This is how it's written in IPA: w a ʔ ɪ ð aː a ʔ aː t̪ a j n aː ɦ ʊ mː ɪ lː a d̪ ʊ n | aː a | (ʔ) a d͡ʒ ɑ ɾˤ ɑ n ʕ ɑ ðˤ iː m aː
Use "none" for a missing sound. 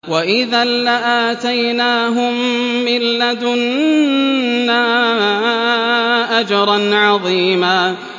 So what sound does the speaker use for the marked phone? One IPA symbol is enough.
ʔ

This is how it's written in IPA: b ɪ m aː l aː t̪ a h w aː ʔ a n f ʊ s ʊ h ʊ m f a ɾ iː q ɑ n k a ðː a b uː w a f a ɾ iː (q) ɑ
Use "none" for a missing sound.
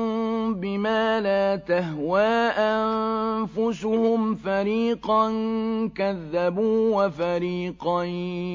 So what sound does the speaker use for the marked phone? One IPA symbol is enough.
q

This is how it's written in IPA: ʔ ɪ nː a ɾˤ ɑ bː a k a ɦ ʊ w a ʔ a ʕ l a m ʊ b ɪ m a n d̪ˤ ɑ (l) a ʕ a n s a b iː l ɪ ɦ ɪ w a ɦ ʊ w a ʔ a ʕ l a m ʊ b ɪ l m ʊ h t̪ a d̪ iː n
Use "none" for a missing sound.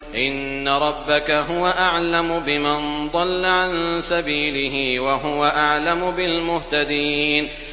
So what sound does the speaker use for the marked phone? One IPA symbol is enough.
lː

